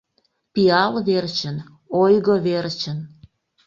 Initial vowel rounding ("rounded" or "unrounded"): unrounded